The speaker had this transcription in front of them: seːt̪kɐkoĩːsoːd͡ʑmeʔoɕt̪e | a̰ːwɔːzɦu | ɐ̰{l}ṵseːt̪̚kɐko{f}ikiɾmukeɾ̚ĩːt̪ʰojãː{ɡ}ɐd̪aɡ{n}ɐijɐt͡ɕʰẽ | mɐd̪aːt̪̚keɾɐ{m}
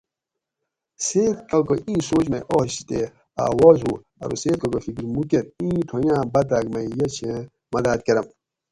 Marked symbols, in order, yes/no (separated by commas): no, yes, no, no, yes